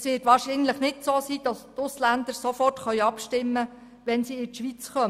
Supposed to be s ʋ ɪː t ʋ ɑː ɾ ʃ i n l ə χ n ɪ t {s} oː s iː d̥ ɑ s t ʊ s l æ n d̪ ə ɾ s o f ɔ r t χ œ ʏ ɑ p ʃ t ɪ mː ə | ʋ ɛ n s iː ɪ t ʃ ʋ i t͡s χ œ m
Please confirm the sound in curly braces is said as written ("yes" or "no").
yes